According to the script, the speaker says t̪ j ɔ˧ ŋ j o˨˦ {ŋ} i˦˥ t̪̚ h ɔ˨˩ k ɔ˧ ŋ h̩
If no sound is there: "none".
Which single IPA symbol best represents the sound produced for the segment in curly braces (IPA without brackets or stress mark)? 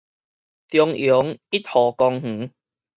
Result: ŋ